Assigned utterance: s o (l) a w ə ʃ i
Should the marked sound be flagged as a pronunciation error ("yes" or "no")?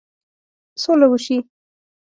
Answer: no